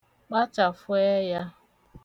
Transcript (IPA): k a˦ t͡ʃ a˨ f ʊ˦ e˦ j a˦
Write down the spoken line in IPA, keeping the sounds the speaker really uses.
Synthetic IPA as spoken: k͡p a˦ t͡ʃ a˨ f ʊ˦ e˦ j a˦